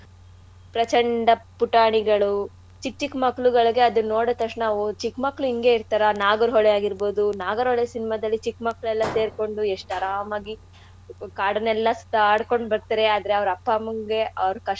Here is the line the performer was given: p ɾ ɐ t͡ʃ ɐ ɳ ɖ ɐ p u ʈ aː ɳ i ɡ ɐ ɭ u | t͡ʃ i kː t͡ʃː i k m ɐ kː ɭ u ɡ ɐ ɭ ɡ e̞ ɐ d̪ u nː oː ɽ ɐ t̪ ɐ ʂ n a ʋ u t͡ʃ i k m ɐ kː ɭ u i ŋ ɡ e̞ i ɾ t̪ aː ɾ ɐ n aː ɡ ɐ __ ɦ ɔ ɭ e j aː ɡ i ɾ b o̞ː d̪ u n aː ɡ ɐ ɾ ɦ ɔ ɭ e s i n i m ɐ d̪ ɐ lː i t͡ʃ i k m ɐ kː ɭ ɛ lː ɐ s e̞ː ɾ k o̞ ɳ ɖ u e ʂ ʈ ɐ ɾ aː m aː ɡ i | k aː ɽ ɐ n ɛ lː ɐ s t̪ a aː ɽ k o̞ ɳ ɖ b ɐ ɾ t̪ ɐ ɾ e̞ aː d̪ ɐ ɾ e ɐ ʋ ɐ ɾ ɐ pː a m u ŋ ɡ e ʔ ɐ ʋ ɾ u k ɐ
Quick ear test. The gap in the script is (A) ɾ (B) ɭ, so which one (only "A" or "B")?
A